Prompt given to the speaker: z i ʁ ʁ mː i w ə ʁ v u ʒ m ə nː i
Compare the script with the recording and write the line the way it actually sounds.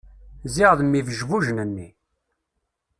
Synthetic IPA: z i ʁ ð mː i v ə ʒ v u ʒ n ə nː i